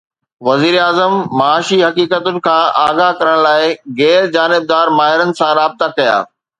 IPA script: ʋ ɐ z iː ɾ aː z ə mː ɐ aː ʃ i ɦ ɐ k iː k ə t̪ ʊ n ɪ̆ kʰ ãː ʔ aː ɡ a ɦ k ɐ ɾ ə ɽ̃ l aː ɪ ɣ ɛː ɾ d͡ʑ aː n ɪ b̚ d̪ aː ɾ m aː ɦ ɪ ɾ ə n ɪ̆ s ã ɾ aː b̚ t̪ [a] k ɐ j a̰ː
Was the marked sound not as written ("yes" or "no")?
no